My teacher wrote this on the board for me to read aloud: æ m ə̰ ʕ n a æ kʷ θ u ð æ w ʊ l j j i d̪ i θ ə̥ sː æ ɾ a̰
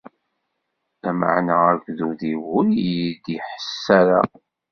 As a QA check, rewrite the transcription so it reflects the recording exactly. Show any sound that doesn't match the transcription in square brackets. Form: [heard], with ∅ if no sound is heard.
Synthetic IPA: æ m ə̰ ʕ n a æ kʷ [ð] u ð [i] w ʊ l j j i d̪ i [ħ] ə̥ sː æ ɾ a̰